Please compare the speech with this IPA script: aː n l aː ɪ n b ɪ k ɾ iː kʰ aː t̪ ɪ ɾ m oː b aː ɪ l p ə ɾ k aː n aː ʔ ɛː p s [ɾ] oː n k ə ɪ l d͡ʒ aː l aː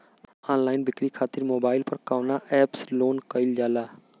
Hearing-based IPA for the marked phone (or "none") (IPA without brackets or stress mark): l